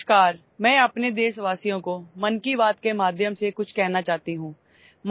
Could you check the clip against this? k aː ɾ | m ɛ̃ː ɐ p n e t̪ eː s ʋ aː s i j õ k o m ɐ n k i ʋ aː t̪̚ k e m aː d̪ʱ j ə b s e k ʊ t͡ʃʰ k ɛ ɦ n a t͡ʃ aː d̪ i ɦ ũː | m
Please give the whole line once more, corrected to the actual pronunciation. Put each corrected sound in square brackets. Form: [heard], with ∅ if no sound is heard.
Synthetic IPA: k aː ɾ | m ɛ̃ː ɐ p n e [d̪] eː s ʋ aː s i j õ k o m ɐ n k i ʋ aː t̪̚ k e m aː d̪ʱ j ə [m] s e k ʊ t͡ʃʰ k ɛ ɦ n a t͡ʃ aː [t̪] i ɦ ũː | m